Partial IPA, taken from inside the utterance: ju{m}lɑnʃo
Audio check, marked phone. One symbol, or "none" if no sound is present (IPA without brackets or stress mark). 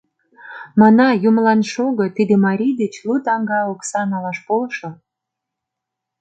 m